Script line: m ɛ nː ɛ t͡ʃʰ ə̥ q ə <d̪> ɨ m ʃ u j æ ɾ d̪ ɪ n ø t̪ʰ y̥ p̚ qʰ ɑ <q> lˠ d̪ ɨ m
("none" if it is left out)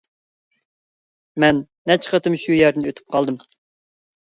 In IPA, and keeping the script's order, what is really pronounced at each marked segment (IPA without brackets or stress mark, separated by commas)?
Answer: t̪, none